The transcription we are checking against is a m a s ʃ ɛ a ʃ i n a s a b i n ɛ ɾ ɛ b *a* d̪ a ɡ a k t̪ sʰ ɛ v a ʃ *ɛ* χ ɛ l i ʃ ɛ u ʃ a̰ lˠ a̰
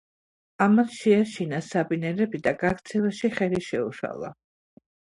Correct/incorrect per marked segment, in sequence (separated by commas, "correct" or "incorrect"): incorrect, incorrect